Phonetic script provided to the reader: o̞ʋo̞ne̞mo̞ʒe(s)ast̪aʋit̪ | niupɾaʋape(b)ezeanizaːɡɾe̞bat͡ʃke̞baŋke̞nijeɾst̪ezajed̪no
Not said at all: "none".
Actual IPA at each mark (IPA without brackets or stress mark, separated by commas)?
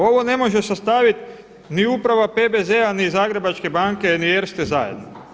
s, b